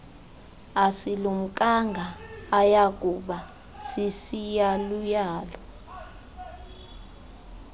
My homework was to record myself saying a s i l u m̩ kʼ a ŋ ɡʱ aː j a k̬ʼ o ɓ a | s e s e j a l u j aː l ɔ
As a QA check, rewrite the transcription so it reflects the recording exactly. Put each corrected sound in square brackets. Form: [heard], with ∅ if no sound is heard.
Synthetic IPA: a s i l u m̩ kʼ a ŋ ɡʱ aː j a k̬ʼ [u] ɓ a | s [i] s [i] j a l u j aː l ɔ